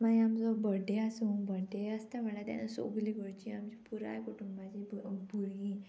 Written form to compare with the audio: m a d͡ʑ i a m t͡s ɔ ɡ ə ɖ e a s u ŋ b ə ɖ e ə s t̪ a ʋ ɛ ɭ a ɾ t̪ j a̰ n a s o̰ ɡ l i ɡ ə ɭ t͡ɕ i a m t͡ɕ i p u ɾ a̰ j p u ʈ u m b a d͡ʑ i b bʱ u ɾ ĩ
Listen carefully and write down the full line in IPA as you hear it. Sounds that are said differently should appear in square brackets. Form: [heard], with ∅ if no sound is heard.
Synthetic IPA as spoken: m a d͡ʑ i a m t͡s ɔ [b] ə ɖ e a s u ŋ b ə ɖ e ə s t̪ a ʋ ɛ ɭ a [∅] t̪ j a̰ n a s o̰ ɡ l i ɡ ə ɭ t͡ɕ i a m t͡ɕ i p u ɾ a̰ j [k] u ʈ u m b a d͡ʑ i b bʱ u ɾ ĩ